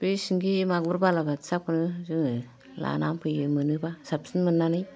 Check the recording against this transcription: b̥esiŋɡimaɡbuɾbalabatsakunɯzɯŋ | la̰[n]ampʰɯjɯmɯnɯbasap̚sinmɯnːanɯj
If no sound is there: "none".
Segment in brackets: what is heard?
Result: n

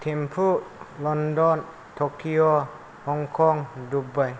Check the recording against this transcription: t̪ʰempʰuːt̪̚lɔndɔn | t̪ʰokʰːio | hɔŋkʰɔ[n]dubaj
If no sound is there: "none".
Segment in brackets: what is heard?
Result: ŋ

